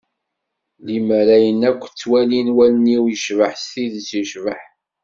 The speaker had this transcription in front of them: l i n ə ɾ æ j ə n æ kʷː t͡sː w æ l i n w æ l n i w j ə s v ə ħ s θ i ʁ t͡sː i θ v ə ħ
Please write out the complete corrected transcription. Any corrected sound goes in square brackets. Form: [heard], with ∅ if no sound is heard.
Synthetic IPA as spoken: l i [m] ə ɾ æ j ə n æ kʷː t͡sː w æ l i n w æ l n i w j ə [ʃ] v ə ħ s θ i [ð] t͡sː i [ʃ] v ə ħ